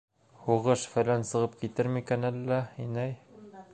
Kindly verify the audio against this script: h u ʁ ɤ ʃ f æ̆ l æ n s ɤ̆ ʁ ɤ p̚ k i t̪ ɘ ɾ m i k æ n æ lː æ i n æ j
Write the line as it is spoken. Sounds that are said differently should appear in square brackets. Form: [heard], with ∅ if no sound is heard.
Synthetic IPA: h u ʁ ɤ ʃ f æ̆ l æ n s ɤ̆ ʁ ɤ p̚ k i t̪ ɘ ɾ m i k æ n æ lː æ i n æ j